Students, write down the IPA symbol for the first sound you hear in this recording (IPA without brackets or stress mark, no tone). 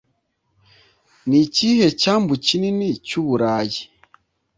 n